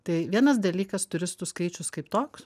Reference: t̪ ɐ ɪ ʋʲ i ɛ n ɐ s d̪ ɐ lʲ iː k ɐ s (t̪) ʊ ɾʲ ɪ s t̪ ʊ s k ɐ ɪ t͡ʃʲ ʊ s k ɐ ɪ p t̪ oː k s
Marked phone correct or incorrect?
correct